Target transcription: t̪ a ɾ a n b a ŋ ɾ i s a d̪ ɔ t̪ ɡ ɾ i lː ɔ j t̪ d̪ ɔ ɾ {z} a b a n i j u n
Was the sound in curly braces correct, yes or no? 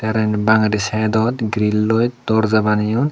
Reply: yes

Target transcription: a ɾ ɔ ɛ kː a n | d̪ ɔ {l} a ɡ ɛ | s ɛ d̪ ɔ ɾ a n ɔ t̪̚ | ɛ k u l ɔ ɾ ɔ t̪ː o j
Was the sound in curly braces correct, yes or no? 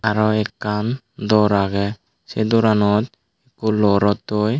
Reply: no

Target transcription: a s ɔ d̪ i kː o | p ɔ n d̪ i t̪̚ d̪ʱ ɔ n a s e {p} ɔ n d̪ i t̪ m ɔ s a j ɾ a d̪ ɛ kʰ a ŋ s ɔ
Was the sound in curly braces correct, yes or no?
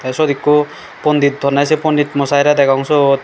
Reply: yes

